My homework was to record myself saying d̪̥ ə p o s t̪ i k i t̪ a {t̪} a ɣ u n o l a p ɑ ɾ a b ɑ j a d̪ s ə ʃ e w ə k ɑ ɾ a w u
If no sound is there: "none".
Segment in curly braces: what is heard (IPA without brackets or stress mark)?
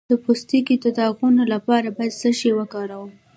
d̪